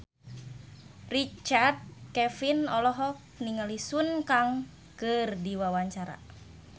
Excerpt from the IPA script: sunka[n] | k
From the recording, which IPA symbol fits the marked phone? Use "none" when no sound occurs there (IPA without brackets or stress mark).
ŋ